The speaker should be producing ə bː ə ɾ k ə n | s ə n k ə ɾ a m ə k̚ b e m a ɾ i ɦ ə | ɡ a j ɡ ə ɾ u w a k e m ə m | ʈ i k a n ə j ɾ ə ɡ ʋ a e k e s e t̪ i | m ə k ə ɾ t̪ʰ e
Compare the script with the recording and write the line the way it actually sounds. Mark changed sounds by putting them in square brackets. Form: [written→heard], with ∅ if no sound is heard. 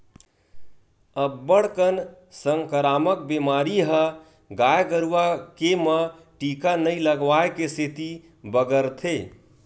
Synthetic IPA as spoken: ə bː ə [ɾ→ɽ] k ə n | s ə [n→ŋ] k ə ɾ a m ə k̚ b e m a ɾ i ɦ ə | ɡ a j ɡ ə ɾ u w a k e m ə [m→∅] | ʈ i k a n ə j [ɾ→l] ə ɡ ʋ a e k e s e t̪ i | [m→b] ə [k→ɡ] ə ɾ t̪ʰ e